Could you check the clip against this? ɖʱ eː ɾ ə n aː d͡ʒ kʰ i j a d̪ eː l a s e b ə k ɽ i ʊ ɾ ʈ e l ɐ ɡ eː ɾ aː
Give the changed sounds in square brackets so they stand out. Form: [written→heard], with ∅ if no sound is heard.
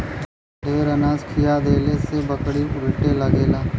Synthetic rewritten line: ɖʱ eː ɾ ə n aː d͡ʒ kʰ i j a d̪ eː l [a→e] s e b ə k ɽ i ʊ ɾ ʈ e l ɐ ɡ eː [ɾ→l] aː